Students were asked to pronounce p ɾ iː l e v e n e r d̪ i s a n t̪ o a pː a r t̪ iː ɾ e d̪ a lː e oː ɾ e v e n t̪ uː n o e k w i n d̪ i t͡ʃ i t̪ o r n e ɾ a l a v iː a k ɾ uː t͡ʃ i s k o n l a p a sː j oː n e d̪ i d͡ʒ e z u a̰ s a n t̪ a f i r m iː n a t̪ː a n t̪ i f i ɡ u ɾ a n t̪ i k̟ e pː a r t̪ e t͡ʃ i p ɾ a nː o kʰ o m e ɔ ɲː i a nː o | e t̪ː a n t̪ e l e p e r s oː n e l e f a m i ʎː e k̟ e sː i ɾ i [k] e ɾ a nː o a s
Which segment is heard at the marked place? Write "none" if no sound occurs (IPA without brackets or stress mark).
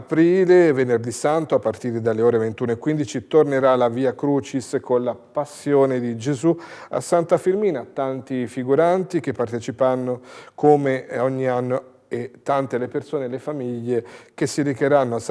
k